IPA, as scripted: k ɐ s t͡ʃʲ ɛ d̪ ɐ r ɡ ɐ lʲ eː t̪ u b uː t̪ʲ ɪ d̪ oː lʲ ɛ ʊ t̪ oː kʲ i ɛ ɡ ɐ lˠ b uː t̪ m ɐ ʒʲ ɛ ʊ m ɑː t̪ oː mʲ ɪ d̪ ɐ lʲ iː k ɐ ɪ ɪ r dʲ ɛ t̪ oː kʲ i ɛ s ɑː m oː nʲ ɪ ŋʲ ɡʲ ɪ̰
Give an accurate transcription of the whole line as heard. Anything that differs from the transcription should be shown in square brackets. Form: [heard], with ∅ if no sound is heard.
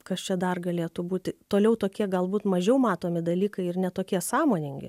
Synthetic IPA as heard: k ɐ s t͡ʃʲ ɛ d̪ ɐ r ɡ ɐ lʲ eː t̪ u b uː t̪ʲ ɪ [t̪] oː lʲ ɛ ʊ t̪ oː kʲ i ɛ ɡ ɐ lˠ b uː t̪ m ɐ ʒʲ ɛ ʊ m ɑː t̪ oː mʲ ɪ d̪ ɐ lʲ iː k ɐ ɪ ɪ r [nʲ] ɛ t̪ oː kʲ i ɛ s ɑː m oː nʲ ɪ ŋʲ ɡʲ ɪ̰